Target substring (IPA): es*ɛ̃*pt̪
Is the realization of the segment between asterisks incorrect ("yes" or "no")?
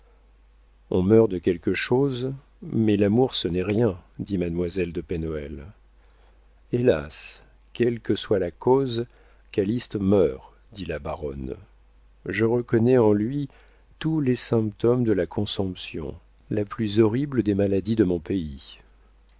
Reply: no